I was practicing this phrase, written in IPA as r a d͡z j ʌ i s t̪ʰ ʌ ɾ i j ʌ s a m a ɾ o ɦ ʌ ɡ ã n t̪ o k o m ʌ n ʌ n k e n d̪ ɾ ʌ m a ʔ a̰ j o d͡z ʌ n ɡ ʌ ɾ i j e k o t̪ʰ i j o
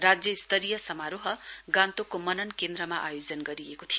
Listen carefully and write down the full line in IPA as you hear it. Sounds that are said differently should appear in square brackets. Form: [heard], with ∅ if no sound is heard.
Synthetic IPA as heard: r a d͡z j ʌ i s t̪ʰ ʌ ɾ i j ʌ s [ʌ] m a ɾ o ɦ ʌ ɡ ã n t̪ o k o m ʌ n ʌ n k e n d̪ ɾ ʌ m a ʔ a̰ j o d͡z ʌ n ɡ ʌ ɾ i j e k o t̪ʰ i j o

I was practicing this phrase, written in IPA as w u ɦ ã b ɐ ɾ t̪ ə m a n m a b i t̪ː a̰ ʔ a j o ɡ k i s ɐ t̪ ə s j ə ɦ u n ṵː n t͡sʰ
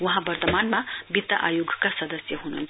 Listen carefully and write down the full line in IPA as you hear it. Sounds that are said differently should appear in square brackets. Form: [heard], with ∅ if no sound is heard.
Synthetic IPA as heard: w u ɦ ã b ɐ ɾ t̪ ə m a n m a b i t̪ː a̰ ʔ a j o ɡ k [a] s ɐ [d̪] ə s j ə ɦ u n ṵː n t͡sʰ

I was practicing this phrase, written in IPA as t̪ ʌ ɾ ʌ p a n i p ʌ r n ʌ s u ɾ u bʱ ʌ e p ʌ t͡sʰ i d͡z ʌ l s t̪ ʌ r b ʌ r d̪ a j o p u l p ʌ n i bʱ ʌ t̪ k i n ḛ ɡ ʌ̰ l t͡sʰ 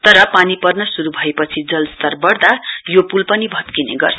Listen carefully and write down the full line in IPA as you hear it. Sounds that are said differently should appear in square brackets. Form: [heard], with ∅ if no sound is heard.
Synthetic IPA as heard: t̪ ʌ ɾ ʌ p a n i p ʌ r n ʌ s u ɾ u bʱ ʌ e p ʌ t͡sʰ i d͡z ʌ l s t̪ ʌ r b ʌ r d̪ a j o p u l p ʌ n i bʱ ʌ t̪ k i n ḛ ɡ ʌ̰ [r] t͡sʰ

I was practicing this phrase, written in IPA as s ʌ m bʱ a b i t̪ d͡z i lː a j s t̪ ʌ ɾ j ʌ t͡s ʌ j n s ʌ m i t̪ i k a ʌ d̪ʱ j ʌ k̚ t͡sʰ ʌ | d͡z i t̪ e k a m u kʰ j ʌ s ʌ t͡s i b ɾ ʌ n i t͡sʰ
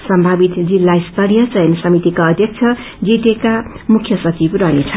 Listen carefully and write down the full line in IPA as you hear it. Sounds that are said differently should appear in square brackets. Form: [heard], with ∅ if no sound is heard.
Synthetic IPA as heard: s ʌ m bʱ a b i t̪ d͡z i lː a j s t̪ ʌ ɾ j ʌ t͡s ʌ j n s ʌ m i t̪ i k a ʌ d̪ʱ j ʌ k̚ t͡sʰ ʌ | d͡z i t̪ e k a m u kʰ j ʌ s ʌ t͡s i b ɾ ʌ n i t͡sʰ

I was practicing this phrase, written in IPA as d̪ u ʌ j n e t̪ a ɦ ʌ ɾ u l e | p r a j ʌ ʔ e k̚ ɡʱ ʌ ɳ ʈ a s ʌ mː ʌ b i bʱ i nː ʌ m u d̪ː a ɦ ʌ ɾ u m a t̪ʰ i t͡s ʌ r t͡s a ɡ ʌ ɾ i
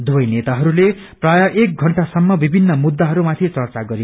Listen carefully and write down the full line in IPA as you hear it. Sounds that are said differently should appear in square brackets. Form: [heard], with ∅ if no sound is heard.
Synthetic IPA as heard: d̪ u ʌ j n e t̪ a ɦ ʌ ɾ u l e | p r a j ʌ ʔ e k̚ ɡʱ ʌ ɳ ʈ a s ʌ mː ʌ b i bʱ i nː ʌ m u d̪ː a ɦ ʌ ɾ u m a t̪ʰ i t͡s ʌ r t͡s a ɡ ʌ ɾ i

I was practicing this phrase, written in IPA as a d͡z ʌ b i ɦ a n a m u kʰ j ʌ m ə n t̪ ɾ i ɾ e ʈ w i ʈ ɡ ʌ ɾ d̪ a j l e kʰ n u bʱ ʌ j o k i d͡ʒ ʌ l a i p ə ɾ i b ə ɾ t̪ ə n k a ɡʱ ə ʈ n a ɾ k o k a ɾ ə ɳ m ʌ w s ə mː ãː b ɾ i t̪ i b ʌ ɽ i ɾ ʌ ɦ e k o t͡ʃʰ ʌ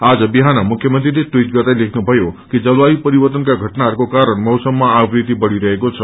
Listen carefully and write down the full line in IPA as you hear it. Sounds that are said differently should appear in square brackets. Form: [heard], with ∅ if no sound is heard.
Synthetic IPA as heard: a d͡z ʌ b i ɦ a n a m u kʰ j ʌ m ə n t̪ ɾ i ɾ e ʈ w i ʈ ɡ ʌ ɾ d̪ a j l e kʰ n u bʱ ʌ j o k i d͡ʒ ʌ l a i p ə ɾ i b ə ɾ t̪ ə n k a ɡʱ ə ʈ n a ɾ k o k a ɾ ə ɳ m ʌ w s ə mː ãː b ɾ i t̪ i b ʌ ɽ i ɾ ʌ ɦ e k o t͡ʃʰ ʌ

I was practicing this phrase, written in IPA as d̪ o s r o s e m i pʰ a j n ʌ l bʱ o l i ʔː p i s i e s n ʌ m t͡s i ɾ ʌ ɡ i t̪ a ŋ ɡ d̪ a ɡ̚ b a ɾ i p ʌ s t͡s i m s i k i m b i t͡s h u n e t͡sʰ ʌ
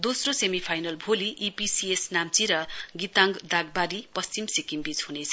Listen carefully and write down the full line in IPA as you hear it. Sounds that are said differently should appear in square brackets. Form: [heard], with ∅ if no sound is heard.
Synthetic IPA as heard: d̪ o s r o s e m i pʰ a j n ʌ l bʱ o l i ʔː p i s i e s n [a] m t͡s i ɾ ʌ ɡ i t̪ a ŋ ɡ d̪ a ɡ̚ b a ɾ i p ʌ s t͡s i m s i k i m b i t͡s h u n e t͡sʰ ʌ

